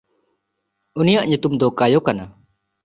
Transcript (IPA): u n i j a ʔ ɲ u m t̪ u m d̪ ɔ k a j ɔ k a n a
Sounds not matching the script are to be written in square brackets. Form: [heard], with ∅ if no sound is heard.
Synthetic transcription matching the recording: u n i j a ʔ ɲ u [∅] t̪ u m d̪ ɔ k a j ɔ k a n a